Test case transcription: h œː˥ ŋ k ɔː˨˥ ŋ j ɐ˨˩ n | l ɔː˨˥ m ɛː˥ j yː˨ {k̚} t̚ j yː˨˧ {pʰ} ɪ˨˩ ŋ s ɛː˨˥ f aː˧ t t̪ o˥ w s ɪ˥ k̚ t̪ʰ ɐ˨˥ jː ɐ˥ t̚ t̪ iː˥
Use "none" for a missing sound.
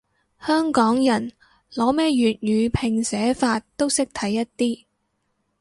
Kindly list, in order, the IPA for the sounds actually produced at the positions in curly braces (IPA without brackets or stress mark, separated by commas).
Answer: none, pʰ